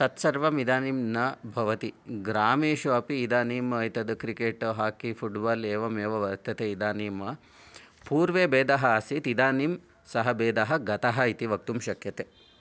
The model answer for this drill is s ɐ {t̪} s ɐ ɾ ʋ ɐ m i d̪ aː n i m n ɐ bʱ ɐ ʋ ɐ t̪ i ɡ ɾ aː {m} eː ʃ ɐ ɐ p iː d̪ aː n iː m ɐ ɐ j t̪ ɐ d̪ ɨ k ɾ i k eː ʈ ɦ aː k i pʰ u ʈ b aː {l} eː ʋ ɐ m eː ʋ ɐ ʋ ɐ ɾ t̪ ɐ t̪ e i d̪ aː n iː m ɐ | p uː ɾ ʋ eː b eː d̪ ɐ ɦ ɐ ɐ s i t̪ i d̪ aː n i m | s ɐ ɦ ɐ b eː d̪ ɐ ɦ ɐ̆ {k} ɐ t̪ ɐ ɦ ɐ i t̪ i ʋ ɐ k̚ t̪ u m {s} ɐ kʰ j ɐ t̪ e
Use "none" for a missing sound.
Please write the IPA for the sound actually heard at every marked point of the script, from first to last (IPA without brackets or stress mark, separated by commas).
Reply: t̪, m, l, ɡ, ʃ